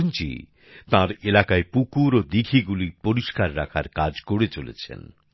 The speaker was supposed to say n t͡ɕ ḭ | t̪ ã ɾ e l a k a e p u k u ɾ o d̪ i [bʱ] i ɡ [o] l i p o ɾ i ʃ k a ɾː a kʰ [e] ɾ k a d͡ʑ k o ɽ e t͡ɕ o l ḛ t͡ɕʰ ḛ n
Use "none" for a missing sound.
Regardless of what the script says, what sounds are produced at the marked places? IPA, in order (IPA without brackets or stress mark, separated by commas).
ɡʱ, u, a